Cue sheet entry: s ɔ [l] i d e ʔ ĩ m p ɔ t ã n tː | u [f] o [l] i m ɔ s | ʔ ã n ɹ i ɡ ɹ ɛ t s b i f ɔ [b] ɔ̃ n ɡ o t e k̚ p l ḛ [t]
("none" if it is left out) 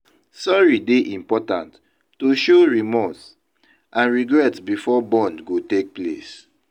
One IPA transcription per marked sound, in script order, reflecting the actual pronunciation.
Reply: ɹ, ʃ, ɹ, b, s

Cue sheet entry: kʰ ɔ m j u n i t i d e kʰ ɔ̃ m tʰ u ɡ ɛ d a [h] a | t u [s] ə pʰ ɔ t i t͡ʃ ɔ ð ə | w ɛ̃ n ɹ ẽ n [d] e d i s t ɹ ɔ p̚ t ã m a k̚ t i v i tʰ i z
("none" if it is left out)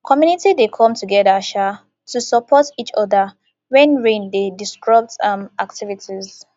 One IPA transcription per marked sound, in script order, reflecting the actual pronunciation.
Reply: ʃ, s, d

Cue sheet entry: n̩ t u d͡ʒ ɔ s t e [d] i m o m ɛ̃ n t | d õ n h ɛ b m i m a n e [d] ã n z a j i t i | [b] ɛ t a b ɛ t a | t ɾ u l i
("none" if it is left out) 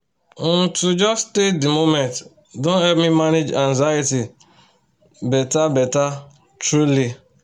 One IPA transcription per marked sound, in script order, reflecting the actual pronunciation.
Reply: d, d͡ʒ, b

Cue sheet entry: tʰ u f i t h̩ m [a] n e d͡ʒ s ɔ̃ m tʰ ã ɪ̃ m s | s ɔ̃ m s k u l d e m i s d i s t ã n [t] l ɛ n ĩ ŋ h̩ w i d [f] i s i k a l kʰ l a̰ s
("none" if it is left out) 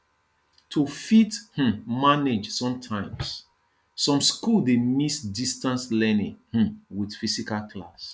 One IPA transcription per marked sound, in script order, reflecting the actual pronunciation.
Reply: a, s, f

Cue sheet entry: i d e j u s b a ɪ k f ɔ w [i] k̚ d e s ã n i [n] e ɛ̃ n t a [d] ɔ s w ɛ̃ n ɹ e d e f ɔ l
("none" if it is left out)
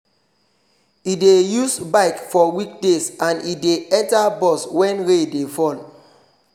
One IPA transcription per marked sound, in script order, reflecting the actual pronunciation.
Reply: i, d, b

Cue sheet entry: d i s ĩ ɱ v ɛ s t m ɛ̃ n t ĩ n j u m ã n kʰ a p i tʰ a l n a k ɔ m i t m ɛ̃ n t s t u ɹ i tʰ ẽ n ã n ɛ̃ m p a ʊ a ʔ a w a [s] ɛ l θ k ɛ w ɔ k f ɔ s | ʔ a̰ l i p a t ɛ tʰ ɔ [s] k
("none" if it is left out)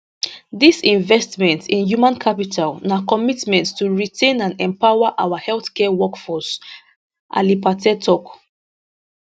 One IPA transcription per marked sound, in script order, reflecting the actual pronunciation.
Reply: h, none

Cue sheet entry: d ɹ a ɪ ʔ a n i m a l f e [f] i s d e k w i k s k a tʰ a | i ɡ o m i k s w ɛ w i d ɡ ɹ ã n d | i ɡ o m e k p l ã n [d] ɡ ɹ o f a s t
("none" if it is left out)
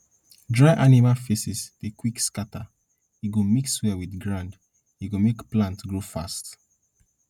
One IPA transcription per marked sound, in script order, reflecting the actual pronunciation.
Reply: s, t

